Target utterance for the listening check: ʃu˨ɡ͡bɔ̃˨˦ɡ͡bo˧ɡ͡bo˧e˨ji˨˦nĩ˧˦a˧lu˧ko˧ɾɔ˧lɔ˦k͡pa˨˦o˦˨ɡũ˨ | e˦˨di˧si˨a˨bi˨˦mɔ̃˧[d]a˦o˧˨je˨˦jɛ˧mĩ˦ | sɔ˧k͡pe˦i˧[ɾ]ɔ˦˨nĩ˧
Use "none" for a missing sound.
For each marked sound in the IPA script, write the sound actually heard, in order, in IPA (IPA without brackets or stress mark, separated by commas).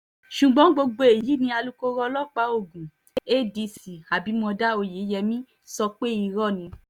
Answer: d, ɾ